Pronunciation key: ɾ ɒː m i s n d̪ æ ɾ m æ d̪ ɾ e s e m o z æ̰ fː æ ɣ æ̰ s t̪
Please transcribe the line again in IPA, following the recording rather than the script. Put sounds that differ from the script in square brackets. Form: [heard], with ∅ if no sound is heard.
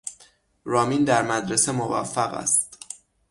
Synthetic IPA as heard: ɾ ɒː m i [∅] n d̪ æ ɾ m æ d̪ ɾ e s e m o [v] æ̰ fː æ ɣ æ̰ s t̪